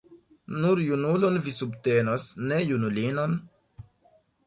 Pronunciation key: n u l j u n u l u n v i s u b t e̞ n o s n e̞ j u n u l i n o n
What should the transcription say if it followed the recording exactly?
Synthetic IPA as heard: n u ɾ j u n u l o n v i s u b t e̞ n o s n e̞ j u n u l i n o n